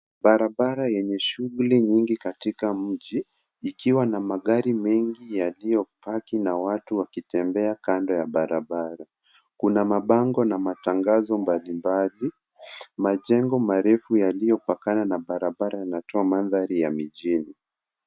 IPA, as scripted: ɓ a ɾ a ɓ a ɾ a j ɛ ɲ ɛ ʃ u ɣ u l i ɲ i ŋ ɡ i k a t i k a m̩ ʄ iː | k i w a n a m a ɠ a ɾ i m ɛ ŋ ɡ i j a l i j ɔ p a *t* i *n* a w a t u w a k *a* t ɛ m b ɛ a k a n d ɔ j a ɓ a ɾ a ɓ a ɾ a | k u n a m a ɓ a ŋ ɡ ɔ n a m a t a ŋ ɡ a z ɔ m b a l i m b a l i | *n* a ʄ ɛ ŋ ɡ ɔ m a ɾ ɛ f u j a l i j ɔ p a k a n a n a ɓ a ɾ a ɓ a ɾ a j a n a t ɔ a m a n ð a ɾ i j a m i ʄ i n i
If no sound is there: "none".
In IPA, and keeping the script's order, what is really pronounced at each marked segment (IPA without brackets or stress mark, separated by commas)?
k, n, i, m